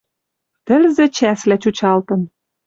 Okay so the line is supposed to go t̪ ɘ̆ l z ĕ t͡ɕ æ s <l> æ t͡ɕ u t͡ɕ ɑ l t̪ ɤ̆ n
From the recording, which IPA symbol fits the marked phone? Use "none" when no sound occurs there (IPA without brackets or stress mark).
l